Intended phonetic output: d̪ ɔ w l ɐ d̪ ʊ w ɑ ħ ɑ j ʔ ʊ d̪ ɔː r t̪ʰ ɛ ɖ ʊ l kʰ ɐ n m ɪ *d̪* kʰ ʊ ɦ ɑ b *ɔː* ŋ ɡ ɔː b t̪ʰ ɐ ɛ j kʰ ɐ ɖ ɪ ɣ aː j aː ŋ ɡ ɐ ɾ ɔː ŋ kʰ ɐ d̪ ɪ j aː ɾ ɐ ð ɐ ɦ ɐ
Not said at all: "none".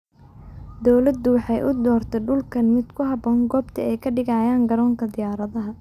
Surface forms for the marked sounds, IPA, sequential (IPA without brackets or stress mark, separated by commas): d̪, ɔː